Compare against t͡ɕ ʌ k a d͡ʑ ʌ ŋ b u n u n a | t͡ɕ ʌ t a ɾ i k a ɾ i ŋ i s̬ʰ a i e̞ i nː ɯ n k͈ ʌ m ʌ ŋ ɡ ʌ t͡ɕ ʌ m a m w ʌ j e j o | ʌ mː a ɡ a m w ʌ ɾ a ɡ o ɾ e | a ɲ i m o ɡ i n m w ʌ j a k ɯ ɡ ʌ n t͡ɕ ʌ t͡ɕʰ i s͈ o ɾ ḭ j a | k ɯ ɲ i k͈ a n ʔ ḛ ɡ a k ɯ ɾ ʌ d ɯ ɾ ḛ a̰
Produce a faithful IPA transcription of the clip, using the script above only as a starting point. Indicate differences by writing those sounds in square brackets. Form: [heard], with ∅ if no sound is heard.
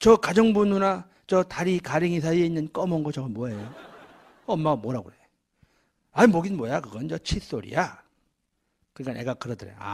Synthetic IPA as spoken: t͡ɕ ʌ k a d͡ʑ ʌ ŋ b u n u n a | t͡ɕ ʌ t a ɾ i k a ɾ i ŋ i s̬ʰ a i e̞ i nː ɯ n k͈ ʌ m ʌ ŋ ɡ ʌ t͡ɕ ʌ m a m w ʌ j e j o | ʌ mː a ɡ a m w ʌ ɾ a ɡ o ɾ e | a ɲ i m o ɡ i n m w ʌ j a k ɯ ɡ ʌ n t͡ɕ ʌ t͡ɕʰ i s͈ o ɾ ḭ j a | k ɯ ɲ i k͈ a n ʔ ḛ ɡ a k ɯ ɾ ʌ d ɯ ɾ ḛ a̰

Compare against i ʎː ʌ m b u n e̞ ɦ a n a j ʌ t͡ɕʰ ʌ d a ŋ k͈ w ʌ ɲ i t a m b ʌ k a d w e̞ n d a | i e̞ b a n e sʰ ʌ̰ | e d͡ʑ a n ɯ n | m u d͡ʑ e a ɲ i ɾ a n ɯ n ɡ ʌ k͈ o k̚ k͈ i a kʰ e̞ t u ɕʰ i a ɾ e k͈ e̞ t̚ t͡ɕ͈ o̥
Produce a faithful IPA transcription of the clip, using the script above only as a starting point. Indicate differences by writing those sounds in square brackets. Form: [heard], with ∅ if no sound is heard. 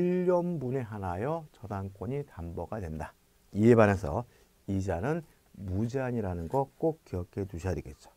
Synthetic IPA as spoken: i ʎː ʌ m b u n e̞ ɦ a n a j ʌ [t͡ɕ] ʌ d a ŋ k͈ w ʌ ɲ i t a m b ʌ [ɡ] a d w e̞ n d a | i e̞ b a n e sʰ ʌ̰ | [i] d͡ʑ a n ɯ n | m u d͡ʑ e a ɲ i ɾ a n ɯ n ɡ ʌ k͈ o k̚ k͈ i [ʌ] kʰ e̞ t u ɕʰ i a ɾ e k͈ e̞ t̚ t͡ɕ͈ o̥

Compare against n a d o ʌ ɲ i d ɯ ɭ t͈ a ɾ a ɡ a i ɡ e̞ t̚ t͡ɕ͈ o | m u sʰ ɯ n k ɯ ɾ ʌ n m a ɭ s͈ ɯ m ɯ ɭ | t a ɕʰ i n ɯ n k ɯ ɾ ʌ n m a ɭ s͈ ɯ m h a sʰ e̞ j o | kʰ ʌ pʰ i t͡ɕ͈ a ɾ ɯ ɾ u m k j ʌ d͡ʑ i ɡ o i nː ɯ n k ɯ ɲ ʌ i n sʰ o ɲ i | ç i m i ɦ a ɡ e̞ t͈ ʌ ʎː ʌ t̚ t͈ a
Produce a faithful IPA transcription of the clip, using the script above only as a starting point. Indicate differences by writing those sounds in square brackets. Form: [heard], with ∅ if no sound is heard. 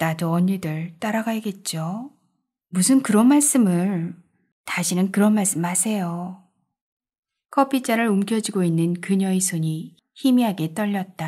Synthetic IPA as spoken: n a d o ʌ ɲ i d ɯ ɭ t͈ a ɾ a ɡ a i ɡ e̞ t̚ t͡ɕ͈ o | m u sʰ ɯ n k ɯ ɾ ʌ n m a ɭ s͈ ɯ m ɯ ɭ | t a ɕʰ i n ɯ n k ɯ ɾ ʌ n m a ɭ s͈ ɯ m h a sʰ e̞ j o | kʰ ʌ pʰ i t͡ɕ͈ a ɾ ɯ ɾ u m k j ʌ d͡ʑ i ɡ o i nː ɯ n k ɯ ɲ ʌ i [∅] sʰ o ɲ i | ç i m i ɦ a ɡ e̞ t͈ ʌ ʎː ʌ t̚ t͈ a

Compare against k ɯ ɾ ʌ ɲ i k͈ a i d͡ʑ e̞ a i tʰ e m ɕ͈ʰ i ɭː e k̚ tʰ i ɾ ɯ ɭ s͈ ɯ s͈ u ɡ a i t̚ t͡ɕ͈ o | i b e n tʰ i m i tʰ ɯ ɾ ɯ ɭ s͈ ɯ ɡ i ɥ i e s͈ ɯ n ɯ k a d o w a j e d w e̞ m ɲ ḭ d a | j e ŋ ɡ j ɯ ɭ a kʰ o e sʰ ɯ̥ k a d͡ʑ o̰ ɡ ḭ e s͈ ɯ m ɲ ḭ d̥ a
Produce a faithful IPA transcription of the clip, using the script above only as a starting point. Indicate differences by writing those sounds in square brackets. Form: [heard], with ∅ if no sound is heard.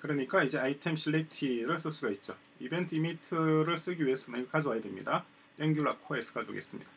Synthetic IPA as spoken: k ɯ ɾ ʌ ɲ i k͈ a i d͡ʑ e̞ a i tʰ e m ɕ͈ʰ i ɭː e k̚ tʰ i ɾ ɯ ɭ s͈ ɯ s͈ u ɡ a i t̚ t͡ɕ͈ o | i b e n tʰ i m i tʰ ɯ ɾ ɯ ɭ s͈ ɯ ɡ i ɥ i e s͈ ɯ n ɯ k a [d͡ʑ] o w a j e d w e̞ m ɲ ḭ d a | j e ŋ ɡ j [u] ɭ a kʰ o e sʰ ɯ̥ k a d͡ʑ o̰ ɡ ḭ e s͈ ɯ m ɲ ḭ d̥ a

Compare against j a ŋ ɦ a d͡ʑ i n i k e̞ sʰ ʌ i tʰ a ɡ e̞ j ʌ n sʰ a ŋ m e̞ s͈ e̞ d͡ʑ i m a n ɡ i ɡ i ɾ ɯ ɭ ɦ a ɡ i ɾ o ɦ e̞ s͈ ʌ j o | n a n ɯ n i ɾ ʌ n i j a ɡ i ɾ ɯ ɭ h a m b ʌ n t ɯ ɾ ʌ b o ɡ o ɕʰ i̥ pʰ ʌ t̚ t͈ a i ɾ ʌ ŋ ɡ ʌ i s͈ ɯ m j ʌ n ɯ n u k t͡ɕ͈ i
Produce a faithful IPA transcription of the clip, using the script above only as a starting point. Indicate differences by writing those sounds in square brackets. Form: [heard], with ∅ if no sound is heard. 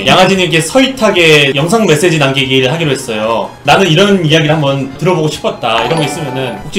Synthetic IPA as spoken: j a ŋ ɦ a d͡ʑ i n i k e̞ sʰ ʌ i tʰ a ɡ e̞ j ʌ [ŋ] sʰ a ŋ m e̞ s͈ e̞ d͡ʑ i [n] a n ɡ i ɡ i ɾ ɯ ɭ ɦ a ɡ i ɾ o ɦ e̞ s͈ ʌ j o | n a n ɯ n i ɾ ʌ n i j a ɡ i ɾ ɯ ɭ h a m b ʌ n t ɯ ɾ ʌ b o ɡ o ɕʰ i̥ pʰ ʌ t̚ t͈ a i ɾ ʌ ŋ ɡ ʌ i s͈ ɯ m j ʌ n ɯ n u k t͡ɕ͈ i

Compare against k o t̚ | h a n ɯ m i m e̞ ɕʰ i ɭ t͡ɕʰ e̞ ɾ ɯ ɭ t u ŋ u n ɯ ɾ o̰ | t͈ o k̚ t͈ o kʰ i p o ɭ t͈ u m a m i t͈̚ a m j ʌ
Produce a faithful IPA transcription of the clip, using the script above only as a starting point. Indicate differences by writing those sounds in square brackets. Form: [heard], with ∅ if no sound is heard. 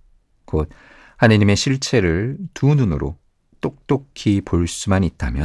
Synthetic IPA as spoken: k o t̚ | h a n ɯ [ɲ] i m e̞ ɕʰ i ɭ t͡ɕʰ e̞ ɾ ɯ ɭ t u [n] u n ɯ ɾ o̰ | t͈ o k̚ t͈ o kʰ i p o ɭ [s͈] u m a [n] i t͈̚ a m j ʌ

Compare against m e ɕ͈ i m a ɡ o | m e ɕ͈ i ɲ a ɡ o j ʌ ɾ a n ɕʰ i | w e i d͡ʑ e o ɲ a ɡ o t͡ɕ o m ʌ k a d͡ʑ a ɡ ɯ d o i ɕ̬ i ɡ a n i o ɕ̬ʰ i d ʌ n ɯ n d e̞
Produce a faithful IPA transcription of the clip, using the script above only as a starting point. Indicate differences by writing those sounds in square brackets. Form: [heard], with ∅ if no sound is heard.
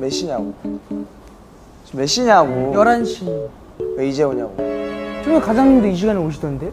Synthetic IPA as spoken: m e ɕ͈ i [ɲ] a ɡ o | m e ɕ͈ i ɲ a ɡ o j ʌ ɾ a n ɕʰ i | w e i d͡ʑ e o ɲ a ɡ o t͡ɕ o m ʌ k a d͡ʑ a [ŋ] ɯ d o i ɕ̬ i ɡ a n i o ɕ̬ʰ i d ʌ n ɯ n d e̞

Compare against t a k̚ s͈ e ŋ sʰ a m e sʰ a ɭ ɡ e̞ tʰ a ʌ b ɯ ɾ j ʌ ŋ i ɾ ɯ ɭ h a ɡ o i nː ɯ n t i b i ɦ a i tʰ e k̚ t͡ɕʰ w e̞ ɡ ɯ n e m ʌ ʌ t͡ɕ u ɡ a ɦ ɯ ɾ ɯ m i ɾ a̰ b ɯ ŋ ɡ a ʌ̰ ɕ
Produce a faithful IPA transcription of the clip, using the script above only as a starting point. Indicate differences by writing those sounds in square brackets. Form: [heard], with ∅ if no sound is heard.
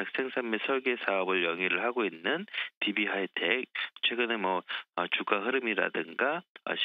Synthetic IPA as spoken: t a k̚ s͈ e ŋ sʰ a m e sʰ [ʌ] ɭ ɡ e̞ [sʰ] a ʌ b ɯ [ɭ] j ʌ ŋ i ɾ ɯ ɭ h a ɡ o i nː ɯ n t i b i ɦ a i tʰ e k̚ t͡ɕʰ w e̞ ɡ ɯ n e m ʌ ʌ t͡ɕ u ɡ a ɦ ɯ ɾ ɯ m i ɾ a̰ [d] ɯ ŋ ɡ a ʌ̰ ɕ

